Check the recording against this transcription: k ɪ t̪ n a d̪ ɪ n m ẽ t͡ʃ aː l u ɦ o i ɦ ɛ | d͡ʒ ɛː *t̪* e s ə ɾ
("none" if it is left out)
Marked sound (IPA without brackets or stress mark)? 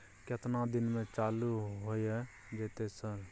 t̪